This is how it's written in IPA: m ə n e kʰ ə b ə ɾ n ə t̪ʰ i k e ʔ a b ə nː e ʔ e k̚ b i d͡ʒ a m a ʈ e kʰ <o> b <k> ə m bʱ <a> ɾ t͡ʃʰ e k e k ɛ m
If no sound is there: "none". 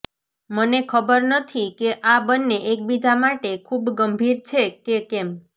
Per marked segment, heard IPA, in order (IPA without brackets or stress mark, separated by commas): u, ɡ, i